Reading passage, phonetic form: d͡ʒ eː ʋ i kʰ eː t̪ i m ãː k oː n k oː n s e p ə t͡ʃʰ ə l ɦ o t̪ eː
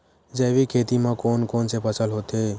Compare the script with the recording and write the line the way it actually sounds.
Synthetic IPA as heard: d͡ʒ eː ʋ i kʰ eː t̪ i m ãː k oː n k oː n s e p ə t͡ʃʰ ə l ɦ o t̪ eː